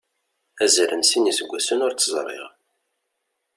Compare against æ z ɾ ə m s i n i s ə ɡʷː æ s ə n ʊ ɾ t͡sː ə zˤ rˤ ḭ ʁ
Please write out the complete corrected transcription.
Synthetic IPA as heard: æ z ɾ ə n s i n i s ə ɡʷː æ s ə n ʊ ɾ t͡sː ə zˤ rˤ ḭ ʁ